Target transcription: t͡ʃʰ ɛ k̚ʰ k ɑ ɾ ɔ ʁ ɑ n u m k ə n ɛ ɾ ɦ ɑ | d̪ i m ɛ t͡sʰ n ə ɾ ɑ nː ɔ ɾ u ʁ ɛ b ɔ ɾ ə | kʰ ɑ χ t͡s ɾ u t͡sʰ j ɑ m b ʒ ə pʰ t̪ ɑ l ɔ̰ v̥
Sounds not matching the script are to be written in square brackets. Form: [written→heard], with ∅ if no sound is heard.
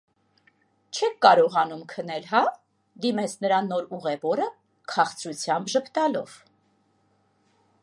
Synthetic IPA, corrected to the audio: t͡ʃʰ ɛ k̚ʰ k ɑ ɾ ɔ ʁ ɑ n u m [k→kʰ] ə n ɛ [ɾ→l] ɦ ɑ | d̪ i m ɛ t͡sʰ n ə ɾ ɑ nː ɔ ɾ u ʁ ɛ [b→v] ɔ ɾ ə | kʰ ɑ χ t͡s ɾ u t͡sʰ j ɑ m b ʒ ə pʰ t̪ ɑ l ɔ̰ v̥